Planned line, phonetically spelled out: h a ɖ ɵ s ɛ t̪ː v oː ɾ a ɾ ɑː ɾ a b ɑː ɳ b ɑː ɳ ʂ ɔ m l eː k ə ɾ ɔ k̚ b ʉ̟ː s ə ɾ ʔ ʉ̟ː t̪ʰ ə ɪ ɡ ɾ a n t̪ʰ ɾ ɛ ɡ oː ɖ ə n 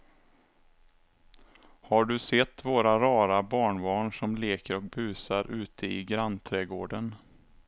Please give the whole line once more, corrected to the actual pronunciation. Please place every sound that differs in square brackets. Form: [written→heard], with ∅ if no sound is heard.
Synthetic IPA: h a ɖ ɵ s ɛ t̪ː v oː ɾ a ɾ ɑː ɾ a b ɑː ɳ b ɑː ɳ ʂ ɔ m l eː k ə ɾ ɔ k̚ b ʉ̟ː s [ə→a] ɾ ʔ ʉ̟ː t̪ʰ ə ɪ ɡ ɾ a n t̪ʰ ɾ ɛ ɡ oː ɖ ə n